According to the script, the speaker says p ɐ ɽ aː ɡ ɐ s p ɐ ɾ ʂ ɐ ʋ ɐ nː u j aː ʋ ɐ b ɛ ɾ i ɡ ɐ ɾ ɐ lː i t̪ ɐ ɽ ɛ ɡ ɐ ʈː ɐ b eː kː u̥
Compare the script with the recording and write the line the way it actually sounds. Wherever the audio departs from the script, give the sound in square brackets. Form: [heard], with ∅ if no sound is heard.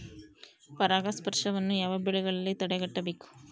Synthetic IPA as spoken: p ɐ [ɾ] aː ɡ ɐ s p ɐ ɾ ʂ ɐ ʋ ɐ nː u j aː ʋ ɐ b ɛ [ɭ] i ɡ ɐ [ɭ] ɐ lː i t̪ ɐ ɽ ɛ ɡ ɐ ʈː ɐ b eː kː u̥